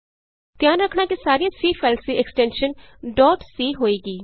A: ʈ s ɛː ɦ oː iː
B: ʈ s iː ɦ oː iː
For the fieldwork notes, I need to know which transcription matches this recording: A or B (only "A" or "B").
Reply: B